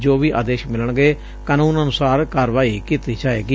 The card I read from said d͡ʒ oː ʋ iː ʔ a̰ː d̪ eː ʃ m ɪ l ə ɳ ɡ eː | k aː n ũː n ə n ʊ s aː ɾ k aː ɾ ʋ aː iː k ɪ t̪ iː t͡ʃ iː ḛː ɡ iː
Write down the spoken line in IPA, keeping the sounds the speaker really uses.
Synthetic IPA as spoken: d͡ʒ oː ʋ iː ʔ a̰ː d̪ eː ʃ m ɪ l ə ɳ ɡ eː | k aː n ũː n ə n ʊ s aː ɾ k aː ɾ ʋ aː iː k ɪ t̪ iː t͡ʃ aː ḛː ɡ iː